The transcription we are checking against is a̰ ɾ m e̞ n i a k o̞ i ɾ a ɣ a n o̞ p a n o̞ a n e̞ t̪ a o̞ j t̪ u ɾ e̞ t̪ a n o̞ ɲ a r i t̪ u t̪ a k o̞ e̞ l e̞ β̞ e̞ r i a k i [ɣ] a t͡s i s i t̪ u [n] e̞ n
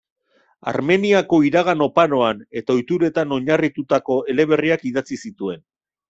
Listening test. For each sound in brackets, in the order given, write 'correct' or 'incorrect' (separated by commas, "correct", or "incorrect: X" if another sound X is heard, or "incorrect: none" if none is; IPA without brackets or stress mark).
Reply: incorrect: ð, incorrect: none